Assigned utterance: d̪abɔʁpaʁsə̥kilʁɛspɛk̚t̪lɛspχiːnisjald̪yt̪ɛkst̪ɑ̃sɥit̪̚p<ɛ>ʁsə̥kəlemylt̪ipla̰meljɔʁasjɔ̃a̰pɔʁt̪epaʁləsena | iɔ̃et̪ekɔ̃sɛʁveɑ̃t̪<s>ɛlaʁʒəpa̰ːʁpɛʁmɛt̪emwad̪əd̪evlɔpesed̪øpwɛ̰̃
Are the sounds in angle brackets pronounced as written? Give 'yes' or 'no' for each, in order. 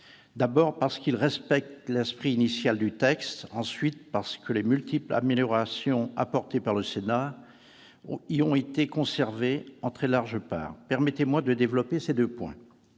no, no

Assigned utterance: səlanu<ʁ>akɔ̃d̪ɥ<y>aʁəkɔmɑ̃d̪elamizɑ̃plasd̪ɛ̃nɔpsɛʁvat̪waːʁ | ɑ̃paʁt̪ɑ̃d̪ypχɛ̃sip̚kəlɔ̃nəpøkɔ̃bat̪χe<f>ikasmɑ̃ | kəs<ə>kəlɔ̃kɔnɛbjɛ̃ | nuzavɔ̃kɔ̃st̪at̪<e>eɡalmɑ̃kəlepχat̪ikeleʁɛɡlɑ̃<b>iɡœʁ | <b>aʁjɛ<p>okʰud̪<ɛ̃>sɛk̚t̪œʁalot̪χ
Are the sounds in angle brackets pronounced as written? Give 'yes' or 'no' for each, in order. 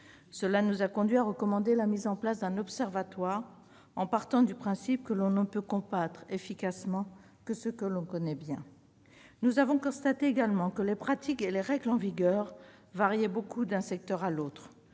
no, no, yes, yes, yes, no, no, no, yes

